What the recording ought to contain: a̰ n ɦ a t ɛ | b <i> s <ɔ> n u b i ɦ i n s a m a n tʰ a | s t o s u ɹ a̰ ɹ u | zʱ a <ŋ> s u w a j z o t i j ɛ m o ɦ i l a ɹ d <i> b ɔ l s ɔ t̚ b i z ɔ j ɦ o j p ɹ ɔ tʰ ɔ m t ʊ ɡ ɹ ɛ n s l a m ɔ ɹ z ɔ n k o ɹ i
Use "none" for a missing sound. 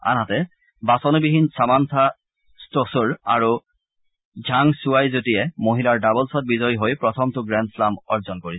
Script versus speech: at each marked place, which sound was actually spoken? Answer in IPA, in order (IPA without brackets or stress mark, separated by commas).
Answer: a, ɔ, ŋ, a